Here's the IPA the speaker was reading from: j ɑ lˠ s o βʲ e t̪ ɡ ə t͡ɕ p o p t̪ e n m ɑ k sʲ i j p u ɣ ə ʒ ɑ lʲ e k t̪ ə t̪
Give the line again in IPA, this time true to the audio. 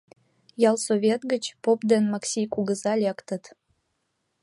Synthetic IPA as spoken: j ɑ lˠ s o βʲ e t̪ ɡ ə t͡ɕ p o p d̪ e n m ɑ k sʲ i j k u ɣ ə z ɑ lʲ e k t̪ ə t̪